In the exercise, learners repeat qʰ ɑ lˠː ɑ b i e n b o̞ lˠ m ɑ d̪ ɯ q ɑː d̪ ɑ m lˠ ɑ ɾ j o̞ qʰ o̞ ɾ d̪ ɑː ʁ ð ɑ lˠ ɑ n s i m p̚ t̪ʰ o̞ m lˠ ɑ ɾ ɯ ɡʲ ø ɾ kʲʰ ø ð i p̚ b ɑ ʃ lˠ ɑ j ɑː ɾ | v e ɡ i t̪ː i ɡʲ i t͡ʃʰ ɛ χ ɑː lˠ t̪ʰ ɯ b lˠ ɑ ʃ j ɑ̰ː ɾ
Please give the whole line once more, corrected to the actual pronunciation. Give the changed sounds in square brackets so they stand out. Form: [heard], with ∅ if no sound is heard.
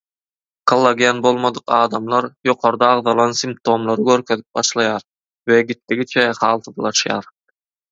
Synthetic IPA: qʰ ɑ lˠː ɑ [ɡ] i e n b o̞ lˠ m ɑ d̪ ɯ q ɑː d̪ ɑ m lˠ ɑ ɾ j o̞ qʰ o̞ ɾ d̪ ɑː ʁ ð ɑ lˠ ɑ n s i m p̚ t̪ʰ o̞ m lˠ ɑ ɾ ɯ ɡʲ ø ɾ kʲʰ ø ð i p̚ b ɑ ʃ lˠ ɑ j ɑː ɾ | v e ɡ i t̪ː i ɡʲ i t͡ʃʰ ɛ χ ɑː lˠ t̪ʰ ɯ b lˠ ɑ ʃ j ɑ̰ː ɾ